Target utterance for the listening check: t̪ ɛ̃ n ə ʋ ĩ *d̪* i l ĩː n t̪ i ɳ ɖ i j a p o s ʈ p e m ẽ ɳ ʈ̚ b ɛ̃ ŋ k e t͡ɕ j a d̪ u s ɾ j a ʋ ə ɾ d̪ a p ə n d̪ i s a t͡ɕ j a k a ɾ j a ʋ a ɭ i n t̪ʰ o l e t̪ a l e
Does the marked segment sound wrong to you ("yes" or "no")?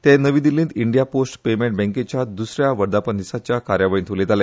no